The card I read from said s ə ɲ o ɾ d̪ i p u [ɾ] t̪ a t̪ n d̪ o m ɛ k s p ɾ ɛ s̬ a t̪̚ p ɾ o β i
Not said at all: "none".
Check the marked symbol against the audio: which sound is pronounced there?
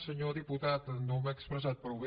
none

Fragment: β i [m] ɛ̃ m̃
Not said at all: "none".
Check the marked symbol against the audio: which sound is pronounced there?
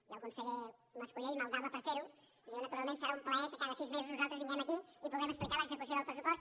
ɲ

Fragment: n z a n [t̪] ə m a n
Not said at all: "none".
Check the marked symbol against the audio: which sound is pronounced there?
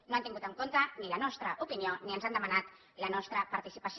d̪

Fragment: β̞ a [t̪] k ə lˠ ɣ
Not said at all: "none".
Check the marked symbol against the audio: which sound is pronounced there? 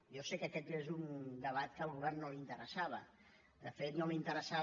t̪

